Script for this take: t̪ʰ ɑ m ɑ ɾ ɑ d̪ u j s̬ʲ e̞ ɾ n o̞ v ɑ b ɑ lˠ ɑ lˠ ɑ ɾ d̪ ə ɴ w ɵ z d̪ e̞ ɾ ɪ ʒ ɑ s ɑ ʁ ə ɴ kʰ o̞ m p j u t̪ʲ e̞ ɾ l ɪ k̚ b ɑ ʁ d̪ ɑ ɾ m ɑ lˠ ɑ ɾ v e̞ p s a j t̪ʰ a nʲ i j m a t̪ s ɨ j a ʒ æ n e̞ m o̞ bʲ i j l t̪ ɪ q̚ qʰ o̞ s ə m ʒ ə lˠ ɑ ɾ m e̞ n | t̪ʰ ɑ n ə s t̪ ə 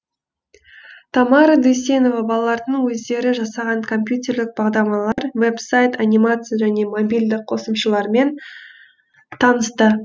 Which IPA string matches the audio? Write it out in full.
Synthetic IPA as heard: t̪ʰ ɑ m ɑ ɾ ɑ d̪ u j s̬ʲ e̞ n o̞ v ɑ b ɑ lˠ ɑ lˠ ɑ ɾ d̪ ə ɴ w ɵ z d̪ e̞ ɾ ɪ ʒ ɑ s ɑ ʁ ɑ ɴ kʰ o̞ m p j u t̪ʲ e̞ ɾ l ɪ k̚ b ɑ ʁ d̪ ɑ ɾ m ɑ lˠ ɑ ɾ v e̞ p s a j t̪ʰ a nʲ i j m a t̪ s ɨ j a ʒ æ n e̞ m o̞ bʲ i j l d̪ ɪ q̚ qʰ o̞ s ə m ʃ ə lˠ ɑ ɾ m e̞ n | t̪ʰ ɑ n ə s t̪ ə